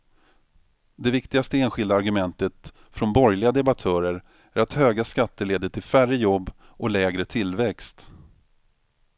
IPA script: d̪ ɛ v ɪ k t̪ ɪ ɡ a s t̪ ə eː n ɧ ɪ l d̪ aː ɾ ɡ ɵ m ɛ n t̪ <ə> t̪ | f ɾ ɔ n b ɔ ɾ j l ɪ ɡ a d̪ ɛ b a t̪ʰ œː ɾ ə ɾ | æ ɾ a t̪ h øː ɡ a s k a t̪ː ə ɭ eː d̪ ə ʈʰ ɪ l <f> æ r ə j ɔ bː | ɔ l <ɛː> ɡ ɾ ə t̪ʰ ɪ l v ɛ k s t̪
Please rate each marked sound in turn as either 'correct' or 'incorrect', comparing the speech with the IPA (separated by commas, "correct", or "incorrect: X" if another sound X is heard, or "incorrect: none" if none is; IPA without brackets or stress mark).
correct, correct, correct